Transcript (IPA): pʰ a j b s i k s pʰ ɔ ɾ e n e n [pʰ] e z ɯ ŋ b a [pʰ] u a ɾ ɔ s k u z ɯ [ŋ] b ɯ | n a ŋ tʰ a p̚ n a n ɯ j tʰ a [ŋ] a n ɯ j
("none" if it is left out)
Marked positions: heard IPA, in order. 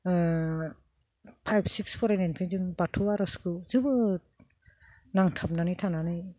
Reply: pʰ, tʰ, none, n

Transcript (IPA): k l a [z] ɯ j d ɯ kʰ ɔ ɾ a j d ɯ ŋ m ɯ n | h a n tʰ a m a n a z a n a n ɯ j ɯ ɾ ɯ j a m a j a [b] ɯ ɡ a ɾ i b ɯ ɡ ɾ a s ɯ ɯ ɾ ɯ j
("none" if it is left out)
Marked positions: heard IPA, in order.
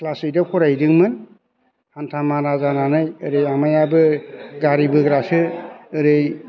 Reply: s, b

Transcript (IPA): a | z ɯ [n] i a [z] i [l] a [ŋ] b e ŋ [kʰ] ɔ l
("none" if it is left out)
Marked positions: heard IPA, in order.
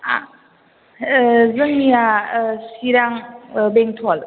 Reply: ŋ, s, ɾ, ŋ, tʰ

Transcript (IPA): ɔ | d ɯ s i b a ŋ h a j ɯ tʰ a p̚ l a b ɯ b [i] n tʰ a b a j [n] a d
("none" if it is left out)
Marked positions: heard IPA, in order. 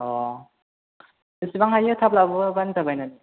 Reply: a, n

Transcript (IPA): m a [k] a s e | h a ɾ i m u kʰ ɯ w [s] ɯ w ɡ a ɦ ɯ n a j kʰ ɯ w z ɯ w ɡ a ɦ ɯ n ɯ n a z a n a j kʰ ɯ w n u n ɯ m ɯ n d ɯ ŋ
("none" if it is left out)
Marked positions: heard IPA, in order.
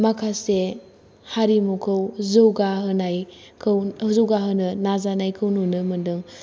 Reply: kʰ, z

